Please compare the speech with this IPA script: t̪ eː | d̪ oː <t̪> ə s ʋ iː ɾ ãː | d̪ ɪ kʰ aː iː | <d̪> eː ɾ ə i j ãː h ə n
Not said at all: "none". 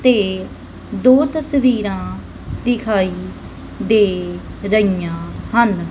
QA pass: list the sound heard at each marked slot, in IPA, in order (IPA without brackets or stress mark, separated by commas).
t̪, d̪